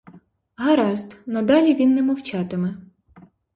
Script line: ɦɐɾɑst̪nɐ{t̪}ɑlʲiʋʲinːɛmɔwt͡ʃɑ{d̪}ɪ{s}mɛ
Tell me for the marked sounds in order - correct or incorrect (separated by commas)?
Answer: incorrect, incorrect, incorrect